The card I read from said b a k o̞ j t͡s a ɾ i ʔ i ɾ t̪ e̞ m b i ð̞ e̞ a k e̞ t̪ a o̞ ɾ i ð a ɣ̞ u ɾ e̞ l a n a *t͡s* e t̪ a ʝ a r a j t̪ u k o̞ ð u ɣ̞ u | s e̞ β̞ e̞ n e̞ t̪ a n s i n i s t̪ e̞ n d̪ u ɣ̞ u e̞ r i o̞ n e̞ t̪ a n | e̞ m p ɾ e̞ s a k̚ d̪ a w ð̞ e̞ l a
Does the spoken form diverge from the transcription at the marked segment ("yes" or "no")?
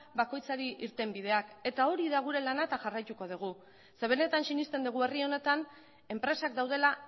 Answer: yes